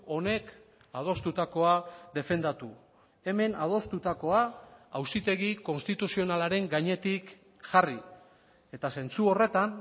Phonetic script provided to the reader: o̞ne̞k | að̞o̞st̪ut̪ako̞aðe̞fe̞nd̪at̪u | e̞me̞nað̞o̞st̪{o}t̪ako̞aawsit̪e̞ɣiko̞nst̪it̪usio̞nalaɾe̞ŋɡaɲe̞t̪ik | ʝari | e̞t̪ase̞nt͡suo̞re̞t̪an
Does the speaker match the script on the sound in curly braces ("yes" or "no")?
no